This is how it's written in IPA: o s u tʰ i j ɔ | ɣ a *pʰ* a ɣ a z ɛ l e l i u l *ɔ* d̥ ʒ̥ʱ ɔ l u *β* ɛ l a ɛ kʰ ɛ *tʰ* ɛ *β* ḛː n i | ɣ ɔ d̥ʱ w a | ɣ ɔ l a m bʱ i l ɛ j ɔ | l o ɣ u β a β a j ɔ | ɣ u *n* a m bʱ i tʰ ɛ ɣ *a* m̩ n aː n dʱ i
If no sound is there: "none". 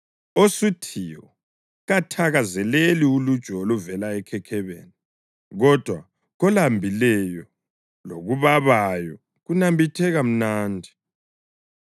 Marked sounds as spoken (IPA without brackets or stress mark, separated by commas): tʰ, u, v, kʰ, β, n, a